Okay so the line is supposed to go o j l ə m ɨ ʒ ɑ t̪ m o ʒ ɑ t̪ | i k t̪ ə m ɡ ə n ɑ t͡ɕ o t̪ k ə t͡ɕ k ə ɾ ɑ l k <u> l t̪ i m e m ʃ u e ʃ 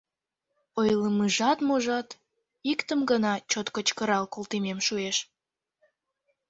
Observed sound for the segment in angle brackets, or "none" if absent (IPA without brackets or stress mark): o